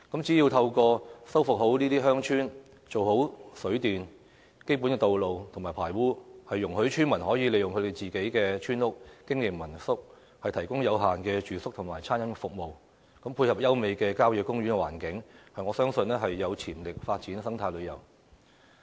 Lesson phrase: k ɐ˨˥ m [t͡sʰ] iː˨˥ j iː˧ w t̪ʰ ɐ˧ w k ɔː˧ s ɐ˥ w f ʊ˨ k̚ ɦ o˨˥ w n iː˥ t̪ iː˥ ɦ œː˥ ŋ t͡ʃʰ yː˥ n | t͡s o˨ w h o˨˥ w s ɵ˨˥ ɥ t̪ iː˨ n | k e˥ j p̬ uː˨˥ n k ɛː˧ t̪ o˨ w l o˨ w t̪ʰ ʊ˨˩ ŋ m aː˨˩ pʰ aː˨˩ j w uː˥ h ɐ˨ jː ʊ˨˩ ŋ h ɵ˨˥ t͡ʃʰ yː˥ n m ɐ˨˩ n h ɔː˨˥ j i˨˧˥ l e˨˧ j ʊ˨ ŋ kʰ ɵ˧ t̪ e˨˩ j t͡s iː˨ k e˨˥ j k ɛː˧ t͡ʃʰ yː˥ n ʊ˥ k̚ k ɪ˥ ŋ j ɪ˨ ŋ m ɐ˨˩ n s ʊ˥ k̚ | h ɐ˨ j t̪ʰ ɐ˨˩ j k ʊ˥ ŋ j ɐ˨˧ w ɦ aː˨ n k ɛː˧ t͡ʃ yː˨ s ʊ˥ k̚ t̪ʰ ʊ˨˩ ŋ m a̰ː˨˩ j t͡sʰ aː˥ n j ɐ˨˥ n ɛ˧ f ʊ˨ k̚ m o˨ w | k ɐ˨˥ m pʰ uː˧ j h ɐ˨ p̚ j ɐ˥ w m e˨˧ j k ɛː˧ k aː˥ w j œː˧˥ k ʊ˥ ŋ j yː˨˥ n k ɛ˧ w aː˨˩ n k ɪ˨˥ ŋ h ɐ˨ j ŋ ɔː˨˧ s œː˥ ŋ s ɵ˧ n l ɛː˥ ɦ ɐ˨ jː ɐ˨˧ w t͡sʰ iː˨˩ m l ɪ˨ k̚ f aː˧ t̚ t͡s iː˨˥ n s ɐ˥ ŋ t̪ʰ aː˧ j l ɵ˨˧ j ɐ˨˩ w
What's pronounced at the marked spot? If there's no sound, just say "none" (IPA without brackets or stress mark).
t͡s